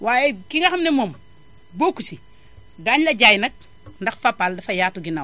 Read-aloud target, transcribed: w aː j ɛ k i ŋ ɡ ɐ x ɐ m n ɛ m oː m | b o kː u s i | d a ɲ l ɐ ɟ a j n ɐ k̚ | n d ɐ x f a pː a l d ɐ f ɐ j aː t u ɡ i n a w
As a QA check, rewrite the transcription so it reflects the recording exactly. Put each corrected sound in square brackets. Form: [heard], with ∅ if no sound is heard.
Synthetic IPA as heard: w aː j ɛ k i ŋ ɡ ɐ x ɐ m n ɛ m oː m | b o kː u s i | d a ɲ l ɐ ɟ a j n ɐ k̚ | n d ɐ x f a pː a l d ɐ f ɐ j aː t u ɡ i n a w